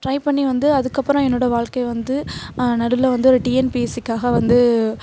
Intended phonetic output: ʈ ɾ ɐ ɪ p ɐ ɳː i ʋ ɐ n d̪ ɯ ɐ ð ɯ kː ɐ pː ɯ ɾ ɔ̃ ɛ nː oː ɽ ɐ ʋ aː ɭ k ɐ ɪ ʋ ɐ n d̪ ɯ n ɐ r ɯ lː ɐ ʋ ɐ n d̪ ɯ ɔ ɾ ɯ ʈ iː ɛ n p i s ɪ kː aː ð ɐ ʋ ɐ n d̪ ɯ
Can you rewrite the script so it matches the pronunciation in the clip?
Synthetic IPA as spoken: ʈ ɾ ɐ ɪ p ɐ ɳː i ʋ ɐ n d̪ ɯ ɐ ð ɯ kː ɐ pː ɯ ɾ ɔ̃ ɛ nː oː ɽ ɐ ʋ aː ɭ k ɐ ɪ ʋ ɐ n d̪ ɯ n ɐ ɽ ɯ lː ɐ ʋ ɐ n d̪ ɯ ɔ ɾ ɯ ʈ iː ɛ n p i s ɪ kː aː ɣ ɐ ʋ ɐ n d̪ ɯ